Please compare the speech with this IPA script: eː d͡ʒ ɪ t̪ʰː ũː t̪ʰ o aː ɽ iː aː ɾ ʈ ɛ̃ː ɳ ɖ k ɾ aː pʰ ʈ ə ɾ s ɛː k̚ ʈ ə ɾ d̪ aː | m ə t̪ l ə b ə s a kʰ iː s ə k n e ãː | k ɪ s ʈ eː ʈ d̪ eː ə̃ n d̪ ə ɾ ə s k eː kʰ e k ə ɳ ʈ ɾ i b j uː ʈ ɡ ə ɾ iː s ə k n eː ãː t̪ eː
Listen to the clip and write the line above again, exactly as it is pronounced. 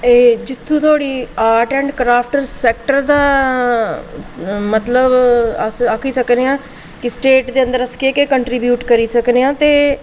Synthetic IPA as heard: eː d͡ʒ ɪ t̪ʰː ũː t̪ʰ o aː ɽ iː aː ɾ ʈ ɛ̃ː ɳ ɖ k ɾ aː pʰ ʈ ə ɾ s ɛː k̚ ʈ ə ɾ d̪ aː | m ə t̪ l ə b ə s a kʰ iː s ə k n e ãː | k ɪ s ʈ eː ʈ d̪ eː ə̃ n d̪ ə ɾ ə s k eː k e k ə ɳ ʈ ɾ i b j uː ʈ k ə ɾ iː s ə k n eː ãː t̪ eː

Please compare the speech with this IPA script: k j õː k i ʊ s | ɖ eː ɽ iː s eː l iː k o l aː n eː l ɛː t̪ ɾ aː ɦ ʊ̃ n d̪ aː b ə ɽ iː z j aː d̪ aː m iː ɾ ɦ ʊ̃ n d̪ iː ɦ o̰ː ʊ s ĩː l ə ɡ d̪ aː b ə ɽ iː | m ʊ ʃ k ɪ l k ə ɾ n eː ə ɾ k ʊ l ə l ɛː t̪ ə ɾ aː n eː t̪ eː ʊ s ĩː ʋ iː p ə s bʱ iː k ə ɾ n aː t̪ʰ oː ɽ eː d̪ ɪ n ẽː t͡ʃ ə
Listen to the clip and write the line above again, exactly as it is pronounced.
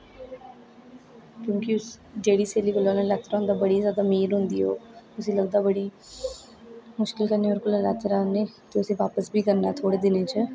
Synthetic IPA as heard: k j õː k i ʊ s | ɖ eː ɽ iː s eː l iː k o l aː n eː l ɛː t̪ ɾ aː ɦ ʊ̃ n d̪ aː b ə ɽ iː z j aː d̪ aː m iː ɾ ɦ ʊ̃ n d̪ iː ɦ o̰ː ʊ s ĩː l ə ɡ d̪ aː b ə ɽ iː | m ʊ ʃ k ɪ l k ə ɾ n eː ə ɾ k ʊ l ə l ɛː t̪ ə ɾ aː n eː t̪ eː ʊ s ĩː ʋ aː p ə s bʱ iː k ə ɾ n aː t̪ʰ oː ɽ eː d̪ ɪ n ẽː t͡ʃ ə

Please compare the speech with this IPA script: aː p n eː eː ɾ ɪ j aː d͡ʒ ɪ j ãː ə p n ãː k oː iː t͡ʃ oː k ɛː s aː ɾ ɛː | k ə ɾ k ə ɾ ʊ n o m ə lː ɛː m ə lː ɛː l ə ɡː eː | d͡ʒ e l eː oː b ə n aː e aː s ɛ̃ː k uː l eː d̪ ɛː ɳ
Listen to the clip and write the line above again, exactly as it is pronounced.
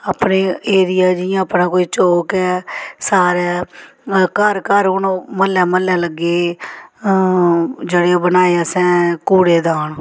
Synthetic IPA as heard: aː p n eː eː ɾ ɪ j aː d͡ʒ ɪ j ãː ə p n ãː k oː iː t͡ʃ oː k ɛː s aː ɾ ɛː | k ə ɾ k ə ɾ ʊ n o m ə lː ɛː m ə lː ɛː l ə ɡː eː | d͡ʒ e ɽ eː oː b ə n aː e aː s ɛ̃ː k uː ɽ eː d̪ aː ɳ

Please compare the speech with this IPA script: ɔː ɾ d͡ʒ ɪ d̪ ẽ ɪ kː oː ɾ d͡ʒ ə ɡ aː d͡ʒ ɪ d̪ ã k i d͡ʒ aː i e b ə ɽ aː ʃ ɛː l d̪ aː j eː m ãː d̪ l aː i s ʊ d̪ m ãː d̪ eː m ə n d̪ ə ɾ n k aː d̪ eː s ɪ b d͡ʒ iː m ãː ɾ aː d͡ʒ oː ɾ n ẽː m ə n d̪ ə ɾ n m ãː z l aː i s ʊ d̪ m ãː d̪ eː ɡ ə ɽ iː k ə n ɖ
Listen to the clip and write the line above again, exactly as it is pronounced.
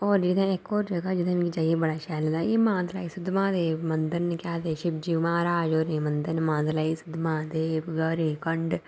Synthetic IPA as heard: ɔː ɾ d͡ʒ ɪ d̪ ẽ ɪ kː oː ɾ d͡ʒ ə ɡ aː d͡ʒ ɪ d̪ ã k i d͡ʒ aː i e b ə ɽ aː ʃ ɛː l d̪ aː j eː m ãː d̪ l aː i s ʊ d̪ m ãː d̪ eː m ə n d̪ ə ɾ n k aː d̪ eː ʃ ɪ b d͡ʒ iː m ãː ɾ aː d͡ʒ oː ɾ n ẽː m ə n d̪ ə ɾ n m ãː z l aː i s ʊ d̪ m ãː d̪ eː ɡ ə ɾ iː k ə ɳ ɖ

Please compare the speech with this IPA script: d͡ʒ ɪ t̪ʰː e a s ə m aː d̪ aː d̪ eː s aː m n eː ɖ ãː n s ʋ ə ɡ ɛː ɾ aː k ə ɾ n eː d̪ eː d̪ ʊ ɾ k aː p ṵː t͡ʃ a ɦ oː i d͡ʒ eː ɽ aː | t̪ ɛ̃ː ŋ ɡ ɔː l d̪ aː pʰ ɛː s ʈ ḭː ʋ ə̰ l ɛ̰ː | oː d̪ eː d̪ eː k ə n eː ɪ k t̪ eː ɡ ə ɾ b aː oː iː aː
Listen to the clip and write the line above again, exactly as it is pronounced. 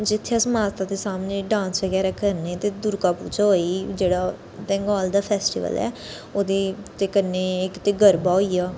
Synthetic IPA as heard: d͡ʒ ɪ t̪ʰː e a s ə m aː t̪ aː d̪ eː s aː m n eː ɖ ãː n s ʋ ə ɡ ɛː ɾ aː k ə ɾ n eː t̪ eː d̪ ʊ ɾ k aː p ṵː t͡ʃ a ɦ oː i d͡ʒ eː ɽ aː | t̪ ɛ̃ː ŋ ɡ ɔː l d̪ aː pʰ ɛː s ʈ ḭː ʋ ə̰ l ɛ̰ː | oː d̪ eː t̪ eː k ə n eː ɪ k t̪ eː ɡ ə ɾ b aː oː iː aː

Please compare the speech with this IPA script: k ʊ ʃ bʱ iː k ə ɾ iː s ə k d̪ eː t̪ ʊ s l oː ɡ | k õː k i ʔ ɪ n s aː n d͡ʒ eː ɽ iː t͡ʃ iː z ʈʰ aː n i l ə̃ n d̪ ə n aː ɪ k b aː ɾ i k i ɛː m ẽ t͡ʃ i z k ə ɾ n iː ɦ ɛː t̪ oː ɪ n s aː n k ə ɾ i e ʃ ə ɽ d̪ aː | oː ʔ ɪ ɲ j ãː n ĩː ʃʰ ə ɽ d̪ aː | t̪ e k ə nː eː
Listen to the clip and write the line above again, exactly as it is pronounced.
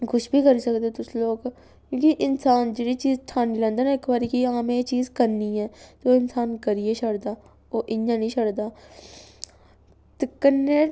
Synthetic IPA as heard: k ʊ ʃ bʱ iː k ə ɾ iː s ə k d̪ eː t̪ ʊ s l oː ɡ | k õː k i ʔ ɪ n s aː n d͡ʒ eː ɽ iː t͡ʃ iː z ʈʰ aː n i l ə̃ n d̪ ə n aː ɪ k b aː ɾ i k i aː m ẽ t͡ʃ iː z k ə ɾ n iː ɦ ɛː t̪ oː ɪ n s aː n k ə ɾ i e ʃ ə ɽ d̪ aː | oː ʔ ɪ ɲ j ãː n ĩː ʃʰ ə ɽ d̪ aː | t̪ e k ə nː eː

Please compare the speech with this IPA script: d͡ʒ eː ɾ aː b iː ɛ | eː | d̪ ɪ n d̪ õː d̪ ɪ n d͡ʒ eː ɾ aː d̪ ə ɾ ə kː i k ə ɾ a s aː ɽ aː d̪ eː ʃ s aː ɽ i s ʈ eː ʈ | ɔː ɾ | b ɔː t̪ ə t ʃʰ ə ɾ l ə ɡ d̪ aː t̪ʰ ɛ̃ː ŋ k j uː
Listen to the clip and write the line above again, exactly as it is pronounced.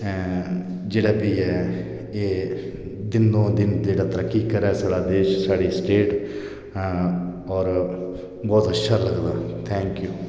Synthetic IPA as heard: d͡ʒ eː ɽ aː b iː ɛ | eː | d̪ ɪ n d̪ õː d̪ ɪ n d͡ʒ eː ɽ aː t̪ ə ɾ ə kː i k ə ɾ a s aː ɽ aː d̪ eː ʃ s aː ɽ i s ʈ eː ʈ | ɔː ɾ | b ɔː t̪ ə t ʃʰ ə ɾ l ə ɡ d̪ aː t̪ʰ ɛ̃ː ŋ k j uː

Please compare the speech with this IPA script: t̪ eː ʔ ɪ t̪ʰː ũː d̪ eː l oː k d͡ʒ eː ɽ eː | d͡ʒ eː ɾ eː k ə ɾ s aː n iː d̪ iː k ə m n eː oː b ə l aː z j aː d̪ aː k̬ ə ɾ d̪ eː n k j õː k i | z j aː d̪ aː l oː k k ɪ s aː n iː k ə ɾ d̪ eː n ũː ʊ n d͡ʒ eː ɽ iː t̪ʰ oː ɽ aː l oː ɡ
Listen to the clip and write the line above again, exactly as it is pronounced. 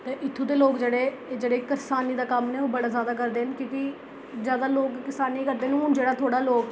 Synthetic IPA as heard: t̪ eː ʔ ɪ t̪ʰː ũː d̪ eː l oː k d͡ʒ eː ɽ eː | d͡ʒ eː ɽ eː k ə ɾ s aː n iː d̪ aː k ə m n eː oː b ə ɽ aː z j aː d̪ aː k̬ ə ɾ d̪ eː n k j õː k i | z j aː d̪ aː l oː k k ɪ s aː n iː k ə ɾ d̪ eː n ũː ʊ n d͡ʒ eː ɽ aː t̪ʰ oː ɽ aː l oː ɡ

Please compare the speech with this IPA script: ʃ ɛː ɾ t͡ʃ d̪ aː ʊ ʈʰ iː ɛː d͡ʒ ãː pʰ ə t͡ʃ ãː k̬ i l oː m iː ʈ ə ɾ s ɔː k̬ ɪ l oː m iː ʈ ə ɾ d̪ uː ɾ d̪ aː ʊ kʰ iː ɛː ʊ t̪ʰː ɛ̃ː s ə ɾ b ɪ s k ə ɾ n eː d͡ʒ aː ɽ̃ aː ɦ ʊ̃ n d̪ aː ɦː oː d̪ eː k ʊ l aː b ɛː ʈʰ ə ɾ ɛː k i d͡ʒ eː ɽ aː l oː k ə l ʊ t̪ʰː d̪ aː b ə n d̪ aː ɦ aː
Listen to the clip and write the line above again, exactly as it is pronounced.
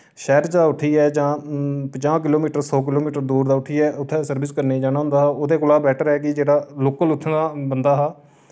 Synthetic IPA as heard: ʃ ɛː ɾ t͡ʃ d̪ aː ʊ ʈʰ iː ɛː d͡ʒ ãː p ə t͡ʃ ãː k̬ ɪ l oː m iː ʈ ə ɾ s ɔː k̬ ɪ l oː m iː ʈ ə ɾ d̪ uː ɾ d̪ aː ʊ ʈʰ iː ɛː ʊ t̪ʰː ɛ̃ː s ə ɾ b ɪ s k ə ɾ n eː d͡ʒ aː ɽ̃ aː ɦ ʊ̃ n d̪ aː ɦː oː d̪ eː k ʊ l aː b ɛː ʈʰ ə ɾ ɛː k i d͡ʒ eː ɽ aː l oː k ə l ʊ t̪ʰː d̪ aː b ə n d̪ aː ɦ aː

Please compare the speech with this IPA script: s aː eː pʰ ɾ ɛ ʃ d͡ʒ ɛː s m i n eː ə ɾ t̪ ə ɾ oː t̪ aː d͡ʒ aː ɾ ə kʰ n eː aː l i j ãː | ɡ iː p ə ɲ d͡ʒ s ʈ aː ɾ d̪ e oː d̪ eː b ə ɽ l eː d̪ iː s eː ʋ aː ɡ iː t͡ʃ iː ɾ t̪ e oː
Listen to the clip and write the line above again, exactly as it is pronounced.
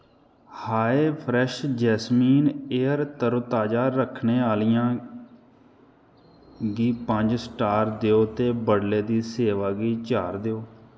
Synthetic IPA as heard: h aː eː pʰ ɾ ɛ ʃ d͡ʒ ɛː s m iː n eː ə ɾ t̪ ə ɾ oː t̪ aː d͡ʒ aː ɾ ə kʰ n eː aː l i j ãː | ɡ iː p ə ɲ d͡ʒ s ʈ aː ɾ d̪ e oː t̪ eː b ə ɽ l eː d̪ iː s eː ʋ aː ɡ iː t͡ʃ aː ɾ d̪ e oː

